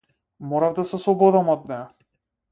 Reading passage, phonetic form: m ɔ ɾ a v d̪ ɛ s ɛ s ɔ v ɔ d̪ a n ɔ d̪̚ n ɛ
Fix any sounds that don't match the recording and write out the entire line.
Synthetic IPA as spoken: m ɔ ɾ a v d̪ a s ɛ s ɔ b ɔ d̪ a m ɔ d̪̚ n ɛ